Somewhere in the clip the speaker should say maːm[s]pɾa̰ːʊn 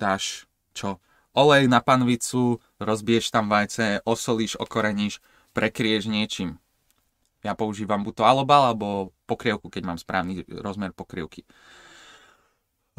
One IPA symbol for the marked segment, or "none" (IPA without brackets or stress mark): s